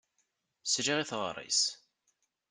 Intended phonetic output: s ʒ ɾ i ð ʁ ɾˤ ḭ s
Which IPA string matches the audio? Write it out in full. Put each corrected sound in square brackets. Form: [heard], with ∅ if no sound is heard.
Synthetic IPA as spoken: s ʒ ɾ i [θ] ʁ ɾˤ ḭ s